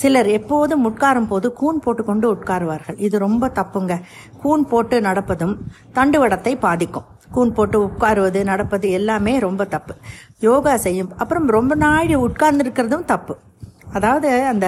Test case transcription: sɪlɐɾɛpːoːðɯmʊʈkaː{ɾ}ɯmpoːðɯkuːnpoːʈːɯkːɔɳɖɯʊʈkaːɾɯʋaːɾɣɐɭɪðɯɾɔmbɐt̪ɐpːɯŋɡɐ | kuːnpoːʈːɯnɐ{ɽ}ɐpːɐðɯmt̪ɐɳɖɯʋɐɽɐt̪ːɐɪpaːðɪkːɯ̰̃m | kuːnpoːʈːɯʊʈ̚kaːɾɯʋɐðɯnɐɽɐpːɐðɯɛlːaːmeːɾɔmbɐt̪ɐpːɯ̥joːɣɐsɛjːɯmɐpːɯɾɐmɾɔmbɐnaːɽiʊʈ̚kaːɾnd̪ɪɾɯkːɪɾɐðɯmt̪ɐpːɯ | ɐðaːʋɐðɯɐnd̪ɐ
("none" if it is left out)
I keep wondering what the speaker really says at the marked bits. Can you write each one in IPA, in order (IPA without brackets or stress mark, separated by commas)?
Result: ɾ, ɽ